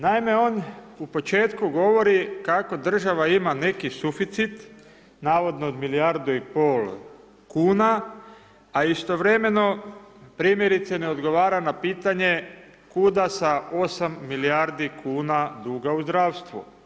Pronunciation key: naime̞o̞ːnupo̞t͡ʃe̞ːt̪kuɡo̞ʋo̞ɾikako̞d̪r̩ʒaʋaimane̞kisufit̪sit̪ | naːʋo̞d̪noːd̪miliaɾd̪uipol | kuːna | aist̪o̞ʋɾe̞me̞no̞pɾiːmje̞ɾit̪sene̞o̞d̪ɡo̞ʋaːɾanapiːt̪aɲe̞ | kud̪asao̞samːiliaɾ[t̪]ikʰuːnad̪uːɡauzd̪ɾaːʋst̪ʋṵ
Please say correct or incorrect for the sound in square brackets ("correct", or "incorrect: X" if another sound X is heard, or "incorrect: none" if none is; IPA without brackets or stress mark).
incorrect: d̪